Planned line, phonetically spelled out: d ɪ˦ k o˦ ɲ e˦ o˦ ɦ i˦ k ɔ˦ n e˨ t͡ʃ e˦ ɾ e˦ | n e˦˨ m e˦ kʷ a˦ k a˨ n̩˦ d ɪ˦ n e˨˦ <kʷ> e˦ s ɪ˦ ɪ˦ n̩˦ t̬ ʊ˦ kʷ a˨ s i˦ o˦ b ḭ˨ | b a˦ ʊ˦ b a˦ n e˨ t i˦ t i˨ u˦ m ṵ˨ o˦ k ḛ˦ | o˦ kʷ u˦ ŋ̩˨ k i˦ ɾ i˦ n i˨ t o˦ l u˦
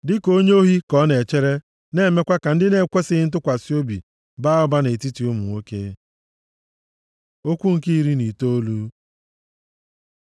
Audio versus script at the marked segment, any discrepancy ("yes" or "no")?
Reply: no